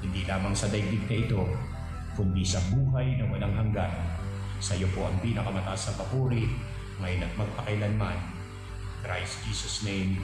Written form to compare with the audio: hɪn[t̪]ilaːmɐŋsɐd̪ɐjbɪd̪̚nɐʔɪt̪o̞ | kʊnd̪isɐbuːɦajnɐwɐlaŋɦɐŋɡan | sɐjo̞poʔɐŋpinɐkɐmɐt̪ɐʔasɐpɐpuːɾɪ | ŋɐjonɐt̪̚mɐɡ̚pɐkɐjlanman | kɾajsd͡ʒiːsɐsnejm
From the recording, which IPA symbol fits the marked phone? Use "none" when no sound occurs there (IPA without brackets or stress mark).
d̪